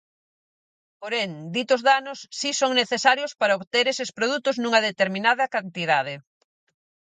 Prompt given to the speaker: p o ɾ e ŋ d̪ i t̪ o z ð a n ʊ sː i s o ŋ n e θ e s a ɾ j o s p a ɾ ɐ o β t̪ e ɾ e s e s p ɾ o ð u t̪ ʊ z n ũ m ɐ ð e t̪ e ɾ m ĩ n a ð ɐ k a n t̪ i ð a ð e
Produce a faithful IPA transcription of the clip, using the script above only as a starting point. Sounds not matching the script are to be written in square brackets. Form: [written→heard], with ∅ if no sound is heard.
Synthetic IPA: p o ɾ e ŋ d̪ i t̪ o z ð a n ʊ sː i s o ŋ n e θ e s a ɾ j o s p a ɾ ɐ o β t̪ e ɾ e s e s p ɾ o ð u t̪ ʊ z n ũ [m→ŋ] ɐ ð e t̪ e ɾ m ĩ n a ð ɐ k a n t̪ i ð a ð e

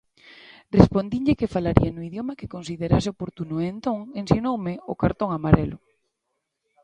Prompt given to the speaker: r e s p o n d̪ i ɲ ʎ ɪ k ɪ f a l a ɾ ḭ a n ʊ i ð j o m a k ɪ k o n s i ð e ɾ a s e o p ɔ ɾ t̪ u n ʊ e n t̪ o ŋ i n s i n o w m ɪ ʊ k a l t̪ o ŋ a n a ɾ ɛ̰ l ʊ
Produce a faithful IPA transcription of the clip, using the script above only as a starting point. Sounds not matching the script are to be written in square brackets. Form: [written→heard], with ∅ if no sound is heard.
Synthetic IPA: r e s p o n d̪ i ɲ ʎ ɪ k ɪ f a l a ɾ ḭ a n ʊ i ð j o m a k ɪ k o n s i ð e ɾ a s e o p [ɔ→o] ɾ t̪ u n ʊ e n t̪ o ŋ [i→e] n s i n o w m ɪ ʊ k a [l→ɾ] t̪ o ŋ a [n→m] a ɾ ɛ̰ l ʊ

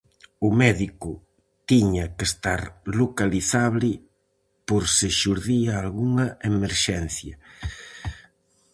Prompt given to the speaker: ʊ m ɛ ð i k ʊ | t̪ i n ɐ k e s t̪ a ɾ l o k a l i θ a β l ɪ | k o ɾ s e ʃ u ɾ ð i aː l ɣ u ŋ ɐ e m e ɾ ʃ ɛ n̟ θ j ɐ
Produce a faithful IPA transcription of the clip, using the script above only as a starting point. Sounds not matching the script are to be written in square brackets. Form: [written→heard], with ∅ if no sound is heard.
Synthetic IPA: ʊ m ɛ ð i k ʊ | t̪ i [n→ɲ] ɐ k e s t̪ a ɾ l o k a l i θ a β l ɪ | [k→p] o ɾ s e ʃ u ɾ ð i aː l ɣ u ŋ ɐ e m e ɾ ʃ ɛ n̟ θ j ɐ

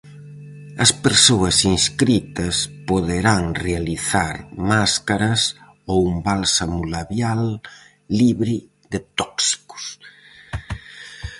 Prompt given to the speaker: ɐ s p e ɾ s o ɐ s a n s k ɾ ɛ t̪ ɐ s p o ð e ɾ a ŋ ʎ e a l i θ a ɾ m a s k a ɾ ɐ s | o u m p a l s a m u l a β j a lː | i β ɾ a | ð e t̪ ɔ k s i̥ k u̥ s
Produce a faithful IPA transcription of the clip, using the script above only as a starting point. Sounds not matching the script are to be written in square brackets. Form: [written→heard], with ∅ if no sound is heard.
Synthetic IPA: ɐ s p e ɾ s o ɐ s [a→i] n s k ɾ [ɛ→i] t̪ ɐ s p o ð e ɾ a ŋ [ʎ→r] e a l i θ a ɾ m a s k a ɾ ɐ s | o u m [p→b] a l s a m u l a β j a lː | i β ɾ [a→i] | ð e t̪ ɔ k s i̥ k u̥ s

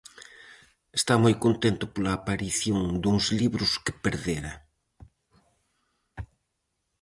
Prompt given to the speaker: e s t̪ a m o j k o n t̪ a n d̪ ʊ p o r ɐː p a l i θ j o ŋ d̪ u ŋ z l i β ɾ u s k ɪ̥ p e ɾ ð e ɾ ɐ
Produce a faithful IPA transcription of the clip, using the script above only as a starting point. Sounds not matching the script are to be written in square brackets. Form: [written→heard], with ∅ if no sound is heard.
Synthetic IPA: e s t̪ a m o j k o n t̪ [a→e] n [d̪→t̪] ʊ p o [r→l] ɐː p a [l→ɾ] i θ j o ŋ d̪ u ŋ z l i β ɾ [u→ʊ] s k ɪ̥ p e ɾ ð e ɾ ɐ

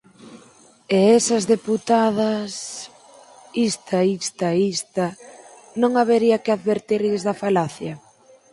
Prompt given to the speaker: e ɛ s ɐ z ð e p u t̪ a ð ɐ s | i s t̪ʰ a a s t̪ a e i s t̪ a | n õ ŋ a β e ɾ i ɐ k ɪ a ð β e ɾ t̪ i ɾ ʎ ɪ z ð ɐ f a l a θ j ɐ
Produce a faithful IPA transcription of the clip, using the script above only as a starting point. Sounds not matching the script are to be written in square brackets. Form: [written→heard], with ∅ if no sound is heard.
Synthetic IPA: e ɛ s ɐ z ð e p u t̪ a ð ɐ s | i s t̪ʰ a [a→i] s t̪ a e i s t̪ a | n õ ŋ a β e ɾ i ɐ k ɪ a ð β e ɾ t̪ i ɾ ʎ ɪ z ð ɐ f a l a θ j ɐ

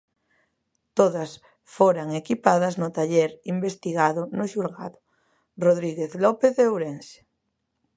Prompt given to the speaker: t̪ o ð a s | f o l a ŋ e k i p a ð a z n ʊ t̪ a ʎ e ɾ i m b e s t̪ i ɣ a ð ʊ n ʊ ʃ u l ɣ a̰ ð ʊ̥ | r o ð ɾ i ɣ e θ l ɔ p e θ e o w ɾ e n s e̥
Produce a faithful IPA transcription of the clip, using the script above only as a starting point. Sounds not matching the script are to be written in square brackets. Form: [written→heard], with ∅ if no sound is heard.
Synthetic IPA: t̪ o ð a s | f o [l→ɾ] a ŋ e k i p a ð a z n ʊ t̪ a ʎ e ɾ i m b e s t̪ i ɣ a ð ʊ n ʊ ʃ u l ɣ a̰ ð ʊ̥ | r o ð ɾ i ɣ e θ l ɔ p e θ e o w ɾ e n s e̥

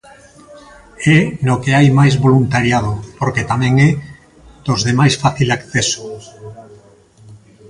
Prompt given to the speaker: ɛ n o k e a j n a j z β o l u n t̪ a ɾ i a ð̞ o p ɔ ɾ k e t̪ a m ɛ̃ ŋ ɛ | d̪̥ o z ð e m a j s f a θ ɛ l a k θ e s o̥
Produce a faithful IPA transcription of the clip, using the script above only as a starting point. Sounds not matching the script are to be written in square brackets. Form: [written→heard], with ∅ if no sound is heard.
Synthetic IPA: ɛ n o k e a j [n→m] a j z β o l u n t̪ a ɾ [i→j] a ð̞ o p [ɔ→o] ɾ k e t̪ a m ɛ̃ ŋ ɛ | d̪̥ o z ð e m a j s f a θ [ɛ→i] l a k θ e s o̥

